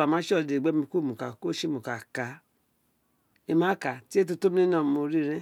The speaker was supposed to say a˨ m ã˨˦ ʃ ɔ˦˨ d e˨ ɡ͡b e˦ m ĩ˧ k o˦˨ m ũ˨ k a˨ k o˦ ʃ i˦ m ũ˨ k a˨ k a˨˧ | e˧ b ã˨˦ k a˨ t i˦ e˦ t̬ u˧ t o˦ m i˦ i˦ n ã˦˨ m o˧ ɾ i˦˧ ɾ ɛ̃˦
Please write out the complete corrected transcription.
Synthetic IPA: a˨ m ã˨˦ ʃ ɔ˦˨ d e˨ ɡ͡b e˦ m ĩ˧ k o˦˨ m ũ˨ k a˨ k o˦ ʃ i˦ m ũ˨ k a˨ k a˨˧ | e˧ m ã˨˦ k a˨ t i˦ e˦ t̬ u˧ t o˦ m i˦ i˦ n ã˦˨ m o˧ ɾ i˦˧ ɾ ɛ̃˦